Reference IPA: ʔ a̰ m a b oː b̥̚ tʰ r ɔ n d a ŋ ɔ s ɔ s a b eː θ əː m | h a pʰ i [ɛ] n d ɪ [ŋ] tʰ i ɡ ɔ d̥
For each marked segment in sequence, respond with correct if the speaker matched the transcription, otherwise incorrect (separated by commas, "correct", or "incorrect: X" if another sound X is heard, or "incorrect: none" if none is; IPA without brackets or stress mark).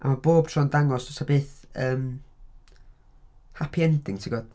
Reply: correct, correct